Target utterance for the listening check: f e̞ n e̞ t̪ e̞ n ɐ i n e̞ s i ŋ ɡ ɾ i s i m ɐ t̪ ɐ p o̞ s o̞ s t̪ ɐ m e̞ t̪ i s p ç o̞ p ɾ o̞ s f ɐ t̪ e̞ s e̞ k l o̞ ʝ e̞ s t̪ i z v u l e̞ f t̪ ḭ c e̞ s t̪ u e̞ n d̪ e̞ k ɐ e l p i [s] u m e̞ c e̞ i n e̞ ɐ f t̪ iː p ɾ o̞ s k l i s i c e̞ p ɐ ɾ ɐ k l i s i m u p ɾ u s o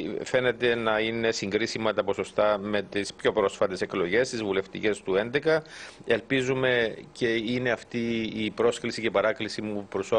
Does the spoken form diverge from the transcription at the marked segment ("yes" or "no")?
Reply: yes